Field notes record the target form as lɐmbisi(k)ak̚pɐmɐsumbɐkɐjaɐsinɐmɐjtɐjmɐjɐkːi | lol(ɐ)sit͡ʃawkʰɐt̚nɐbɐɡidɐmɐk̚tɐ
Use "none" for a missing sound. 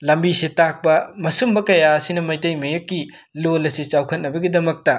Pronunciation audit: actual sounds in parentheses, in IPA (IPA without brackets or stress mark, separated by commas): t, ɐ